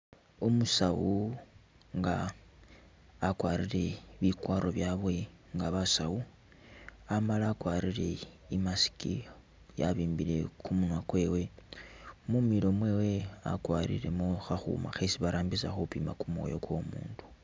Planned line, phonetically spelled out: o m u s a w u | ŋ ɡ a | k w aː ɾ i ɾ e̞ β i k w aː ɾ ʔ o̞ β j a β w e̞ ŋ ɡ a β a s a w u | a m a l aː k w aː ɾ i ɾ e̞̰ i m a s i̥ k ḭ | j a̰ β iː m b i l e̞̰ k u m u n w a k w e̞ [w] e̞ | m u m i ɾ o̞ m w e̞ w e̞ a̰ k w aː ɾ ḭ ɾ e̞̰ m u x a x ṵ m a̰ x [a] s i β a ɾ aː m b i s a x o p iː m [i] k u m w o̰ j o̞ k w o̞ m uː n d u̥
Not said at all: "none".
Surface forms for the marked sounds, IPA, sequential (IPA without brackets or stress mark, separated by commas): w, e, a